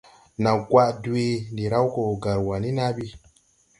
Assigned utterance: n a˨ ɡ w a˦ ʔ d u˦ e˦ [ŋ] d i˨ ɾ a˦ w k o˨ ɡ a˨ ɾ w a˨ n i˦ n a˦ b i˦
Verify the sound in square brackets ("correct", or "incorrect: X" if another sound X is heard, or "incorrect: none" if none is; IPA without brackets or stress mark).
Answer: incorrect: n